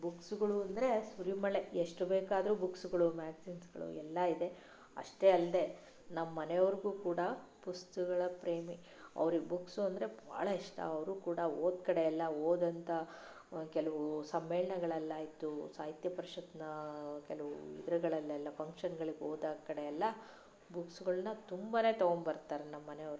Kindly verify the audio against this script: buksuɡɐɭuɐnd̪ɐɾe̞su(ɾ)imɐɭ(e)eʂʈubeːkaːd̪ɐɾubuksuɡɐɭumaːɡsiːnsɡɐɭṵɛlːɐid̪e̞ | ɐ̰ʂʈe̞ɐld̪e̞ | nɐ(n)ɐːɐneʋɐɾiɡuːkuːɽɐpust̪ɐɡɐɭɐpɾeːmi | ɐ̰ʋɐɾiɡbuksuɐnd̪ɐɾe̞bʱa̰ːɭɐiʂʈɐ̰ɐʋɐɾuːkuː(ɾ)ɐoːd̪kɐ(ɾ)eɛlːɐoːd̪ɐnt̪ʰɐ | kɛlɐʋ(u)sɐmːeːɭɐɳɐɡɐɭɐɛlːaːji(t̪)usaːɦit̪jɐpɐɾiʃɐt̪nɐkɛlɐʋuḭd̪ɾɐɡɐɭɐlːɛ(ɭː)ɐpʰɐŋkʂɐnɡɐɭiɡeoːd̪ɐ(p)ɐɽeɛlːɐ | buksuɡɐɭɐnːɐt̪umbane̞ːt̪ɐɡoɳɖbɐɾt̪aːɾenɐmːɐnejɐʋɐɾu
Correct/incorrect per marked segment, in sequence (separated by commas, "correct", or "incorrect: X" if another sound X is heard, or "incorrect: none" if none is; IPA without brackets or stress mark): correct, correct, incorrect: m, incorrect: ɽ, incorrect: ɽ, correct, correct, incorrect: lː, incorrect: k